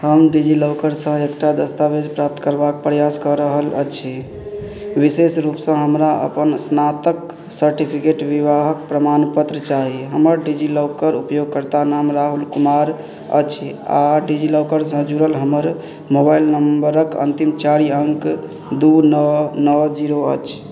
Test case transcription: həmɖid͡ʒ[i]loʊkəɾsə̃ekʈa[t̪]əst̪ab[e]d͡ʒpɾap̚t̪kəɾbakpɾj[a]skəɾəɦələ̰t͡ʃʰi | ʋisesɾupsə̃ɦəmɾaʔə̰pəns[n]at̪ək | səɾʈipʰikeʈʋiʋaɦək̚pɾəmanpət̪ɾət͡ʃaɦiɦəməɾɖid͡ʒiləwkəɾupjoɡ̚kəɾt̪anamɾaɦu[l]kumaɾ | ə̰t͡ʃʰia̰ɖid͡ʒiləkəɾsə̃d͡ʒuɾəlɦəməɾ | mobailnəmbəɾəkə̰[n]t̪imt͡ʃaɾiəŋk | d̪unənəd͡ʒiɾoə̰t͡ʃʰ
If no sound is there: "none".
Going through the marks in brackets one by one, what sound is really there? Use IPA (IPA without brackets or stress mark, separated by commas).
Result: i, d̪, e, a, n, l, n